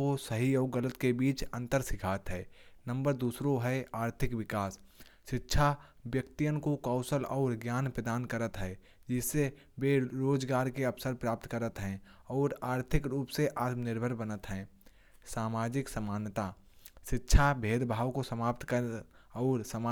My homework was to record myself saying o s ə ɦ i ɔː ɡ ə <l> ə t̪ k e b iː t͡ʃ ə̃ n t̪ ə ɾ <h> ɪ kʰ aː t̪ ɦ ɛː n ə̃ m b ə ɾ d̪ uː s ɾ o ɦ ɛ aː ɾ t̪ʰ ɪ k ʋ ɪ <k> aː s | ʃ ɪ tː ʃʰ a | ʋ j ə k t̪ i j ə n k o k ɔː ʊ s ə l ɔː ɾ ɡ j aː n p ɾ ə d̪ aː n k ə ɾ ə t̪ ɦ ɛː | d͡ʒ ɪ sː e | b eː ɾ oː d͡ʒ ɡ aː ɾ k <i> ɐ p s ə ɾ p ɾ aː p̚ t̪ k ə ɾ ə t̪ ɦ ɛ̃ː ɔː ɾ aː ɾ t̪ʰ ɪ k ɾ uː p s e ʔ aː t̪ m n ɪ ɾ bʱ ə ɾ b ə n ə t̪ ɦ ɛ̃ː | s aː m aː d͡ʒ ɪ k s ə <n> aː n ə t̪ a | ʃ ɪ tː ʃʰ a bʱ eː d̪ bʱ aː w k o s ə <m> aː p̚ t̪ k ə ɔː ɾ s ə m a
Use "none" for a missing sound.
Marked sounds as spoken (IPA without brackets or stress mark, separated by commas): l, s, k, e, m, m